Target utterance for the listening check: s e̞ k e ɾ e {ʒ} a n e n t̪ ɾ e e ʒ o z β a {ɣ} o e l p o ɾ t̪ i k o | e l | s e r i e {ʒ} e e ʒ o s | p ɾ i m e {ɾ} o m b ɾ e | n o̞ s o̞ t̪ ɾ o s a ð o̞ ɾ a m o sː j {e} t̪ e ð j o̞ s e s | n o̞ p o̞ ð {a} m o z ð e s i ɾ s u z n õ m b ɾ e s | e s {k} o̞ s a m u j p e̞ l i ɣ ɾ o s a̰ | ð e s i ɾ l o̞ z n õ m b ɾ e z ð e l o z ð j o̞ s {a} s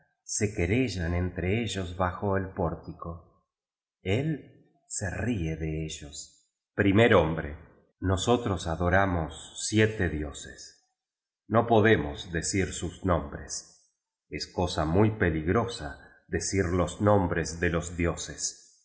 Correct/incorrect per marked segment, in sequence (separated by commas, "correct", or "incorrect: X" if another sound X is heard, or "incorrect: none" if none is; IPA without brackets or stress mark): correct, incorrect: x, incorrect: ð, correct, correct, incorrect: e, correct, incorrect: e